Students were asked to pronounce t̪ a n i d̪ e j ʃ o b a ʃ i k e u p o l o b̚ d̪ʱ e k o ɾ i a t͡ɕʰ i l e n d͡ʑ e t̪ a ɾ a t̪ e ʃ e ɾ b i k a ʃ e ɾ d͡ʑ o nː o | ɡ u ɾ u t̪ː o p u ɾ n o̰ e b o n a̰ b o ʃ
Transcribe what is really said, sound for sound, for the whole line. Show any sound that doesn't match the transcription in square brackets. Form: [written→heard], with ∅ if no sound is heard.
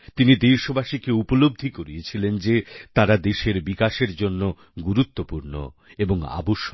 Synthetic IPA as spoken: t̪ [a→i] n i d̪ e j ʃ o b a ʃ i k e u p o l o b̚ d̪ʱ [e→i] k o ɾ i [a→e] t͡ɕʰ i l e n d͡ʑ e t̪ a ɾ a [t̪→d̪] e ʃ e ɾ b i k a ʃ e ɾ d͡ʑ o nː o | ɡ u ɾ u t̪ː o p u ɾ n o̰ e b o [n→ŋ] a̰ b o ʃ